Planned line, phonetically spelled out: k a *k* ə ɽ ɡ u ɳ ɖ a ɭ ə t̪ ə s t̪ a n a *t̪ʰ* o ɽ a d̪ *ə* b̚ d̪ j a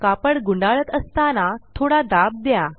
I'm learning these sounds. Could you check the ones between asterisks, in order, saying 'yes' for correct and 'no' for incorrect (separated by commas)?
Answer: no, yes, no